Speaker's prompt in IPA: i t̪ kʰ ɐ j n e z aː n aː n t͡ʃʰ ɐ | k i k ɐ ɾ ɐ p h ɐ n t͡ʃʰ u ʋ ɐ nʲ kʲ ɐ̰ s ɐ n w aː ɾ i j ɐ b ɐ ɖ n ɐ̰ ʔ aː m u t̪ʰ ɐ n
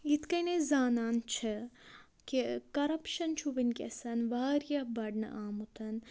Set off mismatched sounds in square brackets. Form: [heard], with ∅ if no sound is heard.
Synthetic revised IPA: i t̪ [k] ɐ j n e z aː n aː n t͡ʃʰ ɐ | k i k ɐ ɾ ɐ p [ʃ] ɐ n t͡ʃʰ u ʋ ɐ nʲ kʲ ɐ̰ s ɐ n [ʋ] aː ɾ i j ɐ b ɐ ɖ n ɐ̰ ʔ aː m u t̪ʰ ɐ n